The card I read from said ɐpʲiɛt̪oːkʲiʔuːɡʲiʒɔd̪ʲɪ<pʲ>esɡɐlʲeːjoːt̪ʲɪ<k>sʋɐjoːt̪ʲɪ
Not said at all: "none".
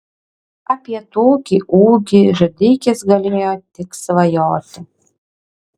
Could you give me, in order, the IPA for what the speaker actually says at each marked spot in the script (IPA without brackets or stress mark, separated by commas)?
kʲ, k